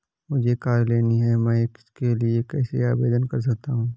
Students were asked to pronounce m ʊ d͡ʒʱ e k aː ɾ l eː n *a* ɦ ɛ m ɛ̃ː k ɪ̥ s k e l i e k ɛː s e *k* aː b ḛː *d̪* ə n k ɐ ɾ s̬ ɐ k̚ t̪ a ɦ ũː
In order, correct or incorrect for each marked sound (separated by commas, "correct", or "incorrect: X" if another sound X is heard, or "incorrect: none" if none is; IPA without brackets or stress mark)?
incorrect: i, incorrect: none, correct